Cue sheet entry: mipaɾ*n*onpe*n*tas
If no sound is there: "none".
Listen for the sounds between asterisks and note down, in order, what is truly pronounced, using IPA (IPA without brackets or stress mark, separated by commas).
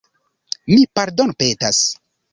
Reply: d, none